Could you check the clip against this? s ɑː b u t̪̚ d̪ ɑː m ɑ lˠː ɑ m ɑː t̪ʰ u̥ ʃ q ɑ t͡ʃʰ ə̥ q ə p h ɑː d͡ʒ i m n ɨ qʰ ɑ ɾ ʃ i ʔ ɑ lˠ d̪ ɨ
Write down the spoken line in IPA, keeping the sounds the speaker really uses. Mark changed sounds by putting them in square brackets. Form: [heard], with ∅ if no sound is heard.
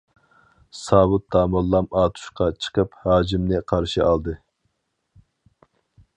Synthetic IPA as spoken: s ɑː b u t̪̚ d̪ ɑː m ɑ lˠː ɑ m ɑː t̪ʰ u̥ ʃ q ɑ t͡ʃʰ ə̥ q ə p h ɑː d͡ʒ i m n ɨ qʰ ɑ ɾ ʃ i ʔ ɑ lˠ d̪ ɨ